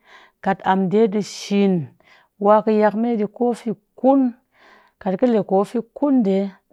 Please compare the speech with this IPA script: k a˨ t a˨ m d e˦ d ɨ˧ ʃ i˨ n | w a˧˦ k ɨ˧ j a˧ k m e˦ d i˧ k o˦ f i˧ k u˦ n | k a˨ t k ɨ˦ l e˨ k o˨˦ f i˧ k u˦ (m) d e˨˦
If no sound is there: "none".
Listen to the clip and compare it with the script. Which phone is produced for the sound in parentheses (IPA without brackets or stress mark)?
n